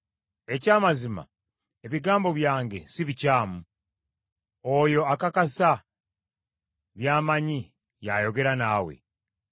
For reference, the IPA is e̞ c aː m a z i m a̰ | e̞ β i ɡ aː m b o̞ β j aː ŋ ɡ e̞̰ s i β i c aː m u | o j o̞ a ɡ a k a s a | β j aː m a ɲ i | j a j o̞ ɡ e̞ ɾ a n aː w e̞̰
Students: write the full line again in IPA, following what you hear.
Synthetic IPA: e̞ c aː m a z i m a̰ | e̞ β i ɡ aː m b o̞ β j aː ŋ ɡ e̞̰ s i β i c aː m u | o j o̞ a k a k a s a | β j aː m a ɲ i | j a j o̞ ɡ e̞ ɾ a n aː w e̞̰